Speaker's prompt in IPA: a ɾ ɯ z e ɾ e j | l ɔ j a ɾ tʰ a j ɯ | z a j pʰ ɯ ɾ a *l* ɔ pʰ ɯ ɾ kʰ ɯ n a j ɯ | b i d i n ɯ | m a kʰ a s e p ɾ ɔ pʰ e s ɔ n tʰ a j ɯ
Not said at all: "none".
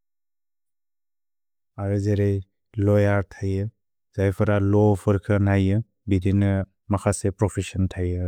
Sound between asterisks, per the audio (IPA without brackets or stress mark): l